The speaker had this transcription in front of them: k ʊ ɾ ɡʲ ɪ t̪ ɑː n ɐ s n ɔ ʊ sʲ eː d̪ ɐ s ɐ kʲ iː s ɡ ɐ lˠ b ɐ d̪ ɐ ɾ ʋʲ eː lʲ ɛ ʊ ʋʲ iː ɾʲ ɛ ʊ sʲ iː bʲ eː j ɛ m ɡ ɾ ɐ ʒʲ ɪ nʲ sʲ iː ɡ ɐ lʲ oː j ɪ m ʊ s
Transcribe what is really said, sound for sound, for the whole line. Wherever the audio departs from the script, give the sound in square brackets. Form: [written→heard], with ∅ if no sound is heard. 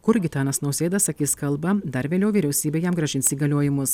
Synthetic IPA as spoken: k ʊ ɾ ɡʲ ɪ t̪ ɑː n ɐ s n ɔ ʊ sʲ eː d̪ ɐ s ɐ kʲ iː s [ɡ→k] ɐ lˠ b ɐ d̪ ɐ ɾ ʋʲ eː lʲ ɛ ʊ ʋʲ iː ɾʲ ɛ ʊ sʲ iː bʲ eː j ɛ m ɡ ɾ ɐ ʒʲ ɪ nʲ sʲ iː ɡ ɐ lʲ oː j ɪ m ʊ s

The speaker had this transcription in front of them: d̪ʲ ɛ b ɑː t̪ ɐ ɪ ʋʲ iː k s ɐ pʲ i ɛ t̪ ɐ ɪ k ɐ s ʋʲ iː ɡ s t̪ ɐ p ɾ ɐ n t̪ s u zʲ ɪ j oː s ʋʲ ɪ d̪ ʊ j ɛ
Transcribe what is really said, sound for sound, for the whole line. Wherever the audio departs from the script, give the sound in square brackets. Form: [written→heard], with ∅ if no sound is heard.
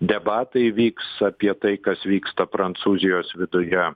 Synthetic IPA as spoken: d̪ʲ ɛ b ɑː t̪ ɐ ɪ ʋʲ iː k s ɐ pʲ i ɛ t̪ ɐ ɪ k ɐ s ʋʲ iː [ɡ→k] s t̪ ɐ p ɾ ɐ n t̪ s [u→uː] zʲ ɪ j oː s ʋʲ ɪ d̪ ʊ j ɛ

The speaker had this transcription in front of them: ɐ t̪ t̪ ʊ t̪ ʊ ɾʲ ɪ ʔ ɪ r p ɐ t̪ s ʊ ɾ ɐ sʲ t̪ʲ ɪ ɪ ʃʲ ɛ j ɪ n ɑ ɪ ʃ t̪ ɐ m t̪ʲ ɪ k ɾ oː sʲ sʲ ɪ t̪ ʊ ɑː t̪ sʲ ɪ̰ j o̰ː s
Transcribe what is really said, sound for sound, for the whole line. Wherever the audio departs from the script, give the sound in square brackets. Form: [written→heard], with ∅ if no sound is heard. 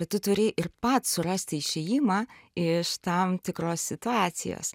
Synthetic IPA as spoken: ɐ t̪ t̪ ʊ t̪ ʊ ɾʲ ɪ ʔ ɪ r p ɐ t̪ s ʊ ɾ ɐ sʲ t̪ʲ ɪ ɪ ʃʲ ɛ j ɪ [n→m] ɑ ɪ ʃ t̪ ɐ m t̪ʲ ɪ k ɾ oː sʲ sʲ ɪ t̪ ʊ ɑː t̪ sʲ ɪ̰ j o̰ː s

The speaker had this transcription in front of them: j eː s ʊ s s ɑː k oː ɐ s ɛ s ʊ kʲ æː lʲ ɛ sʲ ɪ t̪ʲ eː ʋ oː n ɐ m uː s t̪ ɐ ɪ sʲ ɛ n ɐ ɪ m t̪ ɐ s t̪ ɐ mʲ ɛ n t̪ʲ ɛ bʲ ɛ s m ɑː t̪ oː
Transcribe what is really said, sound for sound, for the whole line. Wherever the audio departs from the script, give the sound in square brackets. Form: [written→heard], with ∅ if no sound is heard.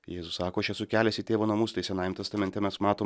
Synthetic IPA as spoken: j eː [s→z] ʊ s s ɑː k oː ɐ [s→ʃ] ɛ s ʊ kʲ æː lʲ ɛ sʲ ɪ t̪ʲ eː ʋ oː n ɐ m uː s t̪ ɐ ɪ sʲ ɛ n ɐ ɪ m t̪ ɐ s t̪ ɐ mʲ ɛ n t̪ʲ ɛ [bʲ→mʲ] ɛ s m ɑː t̪ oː

